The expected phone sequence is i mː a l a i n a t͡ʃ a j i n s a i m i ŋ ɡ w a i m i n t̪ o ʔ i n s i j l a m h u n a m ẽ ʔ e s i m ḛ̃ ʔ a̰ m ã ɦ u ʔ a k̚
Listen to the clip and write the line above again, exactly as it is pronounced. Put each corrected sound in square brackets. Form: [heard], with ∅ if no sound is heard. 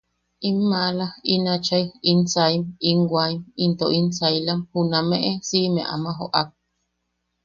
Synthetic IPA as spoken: i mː a l a i n a t͡ʃ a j i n s a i m i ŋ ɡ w a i m i n t̪ o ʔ i n s [a] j l a m h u n a m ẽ ʔ e s i m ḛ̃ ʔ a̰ m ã ɦ [o] ʔ a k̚